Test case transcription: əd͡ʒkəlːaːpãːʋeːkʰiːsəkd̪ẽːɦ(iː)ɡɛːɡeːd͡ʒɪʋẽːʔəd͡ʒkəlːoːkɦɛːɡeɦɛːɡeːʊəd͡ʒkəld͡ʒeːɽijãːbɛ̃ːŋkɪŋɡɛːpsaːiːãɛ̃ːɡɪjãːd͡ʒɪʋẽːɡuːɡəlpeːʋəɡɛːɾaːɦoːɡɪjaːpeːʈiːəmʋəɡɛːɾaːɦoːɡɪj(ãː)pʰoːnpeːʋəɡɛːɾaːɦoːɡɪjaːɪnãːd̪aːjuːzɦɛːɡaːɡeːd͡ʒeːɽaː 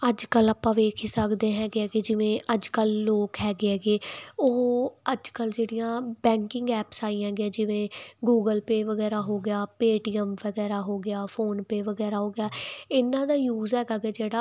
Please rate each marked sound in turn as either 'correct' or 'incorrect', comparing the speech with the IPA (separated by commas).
incorrect, incorrect